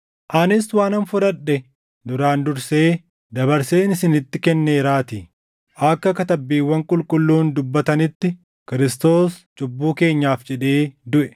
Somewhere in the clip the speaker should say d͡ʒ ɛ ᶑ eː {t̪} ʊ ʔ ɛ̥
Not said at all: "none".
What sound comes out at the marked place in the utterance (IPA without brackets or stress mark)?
d̪